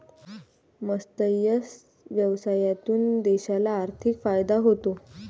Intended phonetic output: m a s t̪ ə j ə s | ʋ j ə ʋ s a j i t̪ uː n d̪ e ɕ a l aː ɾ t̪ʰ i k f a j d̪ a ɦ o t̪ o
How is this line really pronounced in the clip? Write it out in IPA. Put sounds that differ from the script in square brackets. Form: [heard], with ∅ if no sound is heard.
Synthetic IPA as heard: m [ə] s t̪ ə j ə s | ʋ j ə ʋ s a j [a] t̪ uː n d̪ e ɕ a l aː ɾ t̪ʰ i k f a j d̪ a ɦ o t̪ o